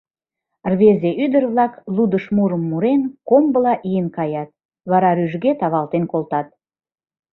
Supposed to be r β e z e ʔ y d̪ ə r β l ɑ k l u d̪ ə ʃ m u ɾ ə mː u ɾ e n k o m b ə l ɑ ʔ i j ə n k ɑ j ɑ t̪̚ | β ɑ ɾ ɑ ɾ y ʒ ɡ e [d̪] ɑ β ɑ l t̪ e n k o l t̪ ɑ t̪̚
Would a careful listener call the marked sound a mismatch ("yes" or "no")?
yes